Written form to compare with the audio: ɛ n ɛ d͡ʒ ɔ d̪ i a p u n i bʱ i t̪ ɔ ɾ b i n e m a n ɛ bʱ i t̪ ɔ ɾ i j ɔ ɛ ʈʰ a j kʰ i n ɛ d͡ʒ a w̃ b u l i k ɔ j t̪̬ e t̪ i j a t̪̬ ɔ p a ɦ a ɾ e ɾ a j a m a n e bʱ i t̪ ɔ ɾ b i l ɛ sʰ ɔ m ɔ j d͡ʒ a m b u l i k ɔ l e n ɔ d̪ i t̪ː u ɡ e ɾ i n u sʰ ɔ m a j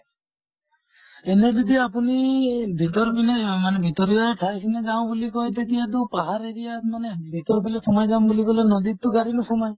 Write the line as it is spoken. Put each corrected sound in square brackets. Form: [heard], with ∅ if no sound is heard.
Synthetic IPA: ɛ n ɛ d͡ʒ ɔ d̪ i a p u n i bʱ i t̪ ɔ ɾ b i n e m a n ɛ bʱ i t̪ ɔ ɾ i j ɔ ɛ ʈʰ a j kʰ i n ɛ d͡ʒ a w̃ b u l i k ɔ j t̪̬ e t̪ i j a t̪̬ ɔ p a ɦ a ɾ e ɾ [i] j a m a n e bʱ i t̪ ɔ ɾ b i l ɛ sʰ ɔ m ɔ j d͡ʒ a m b u l i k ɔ l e n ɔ d̪ i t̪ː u ɡ [a] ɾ i n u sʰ ɔ m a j

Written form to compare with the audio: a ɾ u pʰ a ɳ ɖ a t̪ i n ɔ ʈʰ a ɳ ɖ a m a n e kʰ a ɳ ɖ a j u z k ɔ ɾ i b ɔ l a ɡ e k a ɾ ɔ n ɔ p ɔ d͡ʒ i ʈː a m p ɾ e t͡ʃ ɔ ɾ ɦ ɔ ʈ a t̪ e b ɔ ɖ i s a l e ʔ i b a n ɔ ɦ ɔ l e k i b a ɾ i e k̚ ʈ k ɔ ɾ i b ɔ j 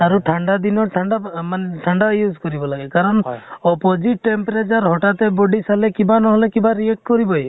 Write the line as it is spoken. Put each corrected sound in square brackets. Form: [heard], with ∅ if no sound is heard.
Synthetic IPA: a ɾ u [ʈʰ] a ɳ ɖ a [d̪] i n ɔ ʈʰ a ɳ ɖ a m a n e [ʈʰ] a ɳ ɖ a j u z k ɔ ɾ i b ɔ l a ɡ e k a ɾ ɔ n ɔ p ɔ d͡ʒ i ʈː [e] m p ɾ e t͡ʃ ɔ ɾ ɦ ɔ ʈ a t̪ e b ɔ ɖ i s a l e [k] i b a n ɔ ɦ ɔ l e k i b a ɾ i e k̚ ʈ k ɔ ɾ i b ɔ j

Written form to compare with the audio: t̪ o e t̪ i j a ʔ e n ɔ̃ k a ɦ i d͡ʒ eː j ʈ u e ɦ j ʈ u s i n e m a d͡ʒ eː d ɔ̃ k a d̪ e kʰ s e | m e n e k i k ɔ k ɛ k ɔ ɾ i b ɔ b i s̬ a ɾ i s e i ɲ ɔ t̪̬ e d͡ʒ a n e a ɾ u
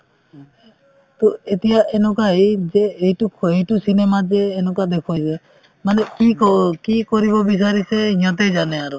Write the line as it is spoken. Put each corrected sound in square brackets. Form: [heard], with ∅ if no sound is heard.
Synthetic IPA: t̪ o e t̪ i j a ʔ e n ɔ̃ k a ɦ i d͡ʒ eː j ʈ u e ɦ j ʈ u s i n e m a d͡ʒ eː [n] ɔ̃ k a d̪ e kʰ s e | m [a] n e k i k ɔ k [i] k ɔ ɾ i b ɔ b i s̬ a ɾ i s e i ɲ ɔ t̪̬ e d͡ʒ a n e a ɾ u

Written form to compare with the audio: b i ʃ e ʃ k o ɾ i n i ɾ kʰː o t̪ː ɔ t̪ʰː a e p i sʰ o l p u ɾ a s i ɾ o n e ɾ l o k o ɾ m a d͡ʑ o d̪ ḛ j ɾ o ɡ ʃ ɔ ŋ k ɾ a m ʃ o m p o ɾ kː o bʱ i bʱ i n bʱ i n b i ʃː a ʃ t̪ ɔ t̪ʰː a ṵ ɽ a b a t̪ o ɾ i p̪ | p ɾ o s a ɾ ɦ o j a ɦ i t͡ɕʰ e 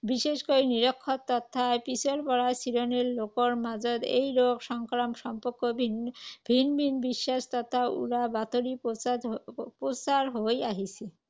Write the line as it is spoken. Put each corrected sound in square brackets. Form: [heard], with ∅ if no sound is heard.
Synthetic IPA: b i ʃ e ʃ k o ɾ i n i ɾ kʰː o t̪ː ɔ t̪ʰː a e p i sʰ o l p [ɔ] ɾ a s i ɾ o n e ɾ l o k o ɾ m a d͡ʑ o d̪ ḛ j ɾ o ɡ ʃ ɔ ŋ k ɾ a m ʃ [ɔ] m p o ɾ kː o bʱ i bʱ i n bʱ i n b i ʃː a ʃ t̪ ɔ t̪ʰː a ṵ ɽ a b a t̪ o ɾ i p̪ | p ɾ o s a ɾ ɦ o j a ɦ i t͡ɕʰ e

